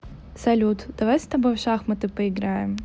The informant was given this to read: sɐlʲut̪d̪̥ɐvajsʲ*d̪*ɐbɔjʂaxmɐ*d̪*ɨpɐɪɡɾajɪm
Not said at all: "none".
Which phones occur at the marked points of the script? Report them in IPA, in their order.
t̪, t̪

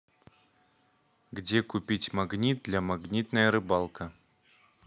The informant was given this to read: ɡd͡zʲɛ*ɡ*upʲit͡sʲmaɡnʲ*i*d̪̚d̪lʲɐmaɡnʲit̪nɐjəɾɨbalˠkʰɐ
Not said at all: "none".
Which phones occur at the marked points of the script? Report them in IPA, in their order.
k, i

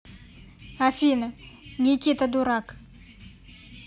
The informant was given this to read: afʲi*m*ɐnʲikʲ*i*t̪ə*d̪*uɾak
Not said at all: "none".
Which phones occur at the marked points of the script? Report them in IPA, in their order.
n, i, d̪

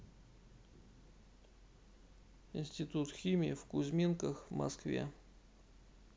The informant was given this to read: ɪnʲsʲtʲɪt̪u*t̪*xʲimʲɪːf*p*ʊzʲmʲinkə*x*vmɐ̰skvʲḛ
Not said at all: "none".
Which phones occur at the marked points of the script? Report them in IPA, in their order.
t̪, k, x

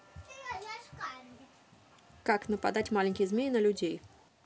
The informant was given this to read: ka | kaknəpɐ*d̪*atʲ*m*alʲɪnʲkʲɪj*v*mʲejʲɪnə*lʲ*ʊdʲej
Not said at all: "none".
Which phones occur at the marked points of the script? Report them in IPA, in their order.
d̪, m, z, lʲ

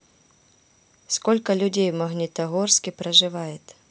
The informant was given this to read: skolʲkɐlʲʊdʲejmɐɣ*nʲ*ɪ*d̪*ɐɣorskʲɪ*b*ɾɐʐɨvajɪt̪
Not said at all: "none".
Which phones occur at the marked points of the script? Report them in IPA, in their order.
nʲ, t̪, p

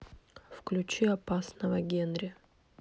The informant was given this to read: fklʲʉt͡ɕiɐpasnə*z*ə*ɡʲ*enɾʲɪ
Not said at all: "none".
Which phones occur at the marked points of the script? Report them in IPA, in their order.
v, ɡʲ

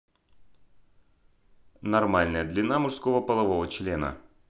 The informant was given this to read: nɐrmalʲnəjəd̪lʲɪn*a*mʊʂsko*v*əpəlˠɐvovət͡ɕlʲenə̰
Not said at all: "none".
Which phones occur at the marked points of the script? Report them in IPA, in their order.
a, v

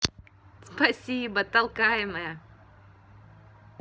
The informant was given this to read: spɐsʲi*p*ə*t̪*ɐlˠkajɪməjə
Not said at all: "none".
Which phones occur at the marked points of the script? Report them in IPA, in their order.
b, t̪

